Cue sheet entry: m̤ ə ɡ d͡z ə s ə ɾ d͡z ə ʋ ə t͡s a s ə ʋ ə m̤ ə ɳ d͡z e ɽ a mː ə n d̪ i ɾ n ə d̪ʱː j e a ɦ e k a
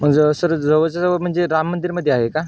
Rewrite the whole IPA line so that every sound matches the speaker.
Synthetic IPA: m̤ ə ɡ d͡z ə s ə ɾ d͡z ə ʋ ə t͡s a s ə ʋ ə m̤ ə ɳ d͡z e ɾ a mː ə n d̪ i ɾ m ə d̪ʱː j e a ɦ e k a

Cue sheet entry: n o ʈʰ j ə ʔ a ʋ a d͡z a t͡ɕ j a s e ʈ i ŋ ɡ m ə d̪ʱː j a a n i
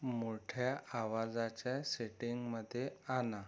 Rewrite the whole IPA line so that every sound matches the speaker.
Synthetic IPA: m o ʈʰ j a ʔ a ʋ a d͡z a t͡ɕ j a s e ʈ i ŋ ɡ m ə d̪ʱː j e a n a

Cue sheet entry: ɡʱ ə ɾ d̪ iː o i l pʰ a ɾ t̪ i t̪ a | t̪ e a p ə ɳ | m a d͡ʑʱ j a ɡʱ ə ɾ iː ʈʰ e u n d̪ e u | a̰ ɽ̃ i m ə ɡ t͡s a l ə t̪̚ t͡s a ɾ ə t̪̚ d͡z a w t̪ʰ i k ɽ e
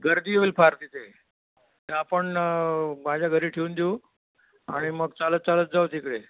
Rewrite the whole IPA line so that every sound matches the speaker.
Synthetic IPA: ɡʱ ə ɾ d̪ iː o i l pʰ a ɾ t̪ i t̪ e | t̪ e a p ə ɳ | m a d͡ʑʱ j a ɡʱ ə ɾ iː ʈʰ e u n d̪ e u | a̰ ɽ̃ i m ə ɡ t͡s a l ə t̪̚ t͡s a l ə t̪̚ d͡z a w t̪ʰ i k ɽ e

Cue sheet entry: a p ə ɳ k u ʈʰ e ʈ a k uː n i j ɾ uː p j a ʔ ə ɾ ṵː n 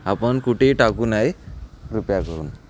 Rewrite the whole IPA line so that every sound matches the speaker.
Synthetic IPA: a p ə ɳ k u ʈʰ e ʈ a k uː n a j ɾ u p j a k ə ɾ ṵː n

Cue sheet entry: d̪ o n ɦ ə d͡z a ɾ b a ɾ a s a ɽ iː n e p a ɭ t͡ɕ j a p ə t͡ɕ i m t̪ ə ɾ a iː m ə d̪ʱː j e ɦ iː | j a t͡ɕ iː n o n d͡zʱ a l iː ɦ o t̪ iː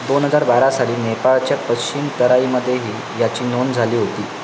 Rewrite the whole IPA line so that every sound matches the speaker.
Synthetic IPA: d̪ o n ɦ ə d͡z a ɾ b a ɾ a s a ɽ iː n e p a ɭ t͡ɕ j a p ə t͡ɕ i m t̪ ə ɾ a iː m ə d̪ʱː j e ɦ iː | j a t͡ɕ iː n o n d͡zʱ a l iː ɦ o t̪ iː

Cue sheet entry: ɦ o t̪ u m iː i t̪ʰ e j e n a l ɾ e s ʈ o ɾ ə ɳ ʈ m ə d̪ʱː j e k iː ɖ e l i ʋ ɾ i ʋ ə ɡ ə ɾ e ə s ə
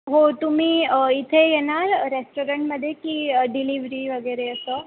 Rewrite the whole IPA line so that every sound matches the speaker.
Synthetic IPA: ɦ o t̪ u m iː i t̪ʰ e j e n a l ɾ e s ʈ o ɾ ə ɳ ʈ m ə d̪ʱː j e k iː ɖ i l i ʋ ɾ i ʋ ə ɡ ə ɾ e ə s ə

